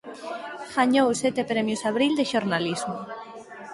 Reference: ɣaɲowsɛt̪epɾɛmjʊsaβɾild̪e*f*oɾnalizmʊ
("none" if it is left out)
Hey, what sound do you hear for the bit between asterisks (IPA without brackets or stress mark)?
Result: ʃ